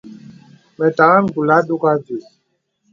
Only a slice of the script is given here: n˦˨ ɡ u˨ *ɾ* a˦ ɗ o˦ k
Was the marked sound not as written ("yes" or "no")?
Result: yes